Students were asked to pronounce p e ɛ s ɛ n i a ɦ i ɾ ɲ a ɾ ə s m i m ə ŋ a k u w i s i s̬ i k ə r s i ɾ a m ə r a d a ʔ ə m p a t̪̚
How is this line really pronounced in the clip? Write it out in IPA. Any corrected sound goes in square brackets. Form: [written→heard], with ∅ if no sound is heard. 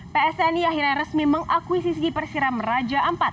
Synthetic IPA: p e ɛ s ɛ n i a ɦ i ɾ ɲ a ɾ ə s m i m ə ŋ a k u w i s i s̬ i [k→p] ə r s i ɾ a m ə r a [d→d͡ʒ] a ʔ ə m p a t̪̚